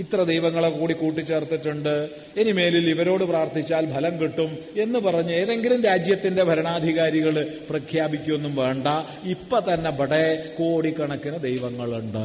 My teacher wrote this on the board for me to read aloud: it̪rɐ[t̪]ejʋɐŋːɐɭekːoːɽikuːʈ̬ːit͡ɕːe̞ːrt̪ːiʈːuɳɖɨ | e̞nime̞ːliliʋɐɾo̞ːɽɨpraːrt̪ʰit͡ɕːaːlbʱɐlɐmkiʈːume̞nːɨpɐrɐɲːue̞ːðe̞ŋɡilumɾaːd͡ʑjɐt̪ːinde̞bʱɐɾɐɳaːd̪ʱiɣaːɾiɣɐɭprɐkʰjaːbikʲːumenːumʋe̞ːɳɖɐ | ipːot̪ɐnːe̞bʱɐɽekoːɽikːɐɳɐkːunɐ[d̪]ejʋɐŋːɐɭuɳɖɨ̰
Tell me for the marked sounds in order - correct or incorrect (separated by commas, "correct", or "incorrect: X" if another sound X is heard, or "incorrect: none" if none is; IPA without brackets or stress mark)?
incorrect: d̪, correct